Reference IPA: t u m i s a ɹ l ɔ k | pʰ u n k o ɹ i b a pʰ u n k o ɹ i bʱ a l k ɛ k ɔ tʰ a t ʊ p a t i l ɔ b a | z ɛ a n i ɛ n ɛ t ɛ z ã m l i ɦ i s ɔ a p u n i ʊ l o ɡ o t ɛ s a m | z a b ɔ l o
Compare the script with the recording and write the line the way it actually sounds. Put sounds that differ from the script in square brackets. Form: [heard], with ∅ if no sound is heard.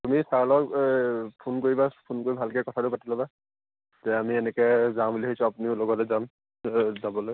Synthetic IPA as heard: t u m i s a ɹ l ɔ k | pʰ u n k o ɹ i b a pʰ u n k o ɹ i bʱ a l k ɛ k ɔ tʰ a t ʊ p a t i l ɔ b a | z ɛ a [m] i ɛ n ɛ [k] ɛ z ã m l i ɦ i s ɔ a p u n i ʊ l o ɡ [ɔ] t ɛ [z] a m | z a b ɔ l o